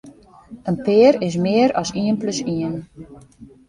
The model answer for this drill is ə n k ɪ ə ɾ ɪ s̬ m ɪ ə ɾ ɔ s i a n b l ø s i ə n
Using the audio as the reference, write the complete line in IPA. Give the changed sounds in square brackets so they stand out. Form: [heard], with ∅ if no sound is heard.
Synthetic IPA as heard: ə n [p] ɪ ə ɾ ɪ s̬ m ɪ ə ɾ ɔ s i [ə] n [p] l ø s i ə n